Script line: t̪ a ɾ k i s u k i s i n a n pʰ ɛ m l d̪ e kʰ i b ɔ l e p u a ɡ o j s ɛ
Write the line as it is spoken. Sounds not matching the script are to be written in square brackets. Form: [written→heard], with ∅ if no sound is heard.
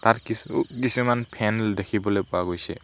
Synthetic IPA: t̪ a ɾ k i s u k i s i [n→m] a n pʰ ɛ [m→n] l d̪ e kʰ i b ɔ l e p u a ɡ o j s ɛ